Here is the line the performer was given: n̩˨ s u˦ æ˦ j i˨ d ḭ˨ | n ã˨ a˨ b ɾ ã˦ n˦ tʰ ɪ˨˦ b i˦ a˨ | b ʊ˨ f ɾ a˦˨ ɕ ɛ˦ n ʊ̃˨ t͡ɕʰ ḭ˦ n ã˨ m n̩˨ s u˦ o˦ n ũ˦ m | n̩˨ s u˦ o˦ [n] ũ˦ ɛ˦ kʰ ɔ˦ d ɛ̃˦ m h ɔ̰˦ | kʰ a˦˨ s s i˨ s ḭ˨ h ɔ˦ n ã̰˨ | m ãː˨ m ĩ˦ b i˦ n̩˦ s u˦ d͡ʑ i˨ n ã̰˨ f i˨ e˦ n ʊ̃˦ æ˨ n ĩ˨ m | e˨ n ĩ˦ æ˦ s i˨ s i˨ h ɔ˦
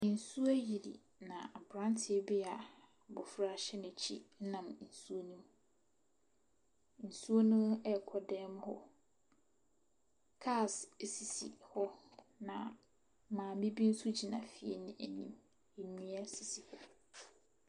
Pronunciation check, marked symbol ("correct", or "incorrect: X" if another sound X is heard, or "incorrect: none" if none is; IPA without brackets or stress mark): correct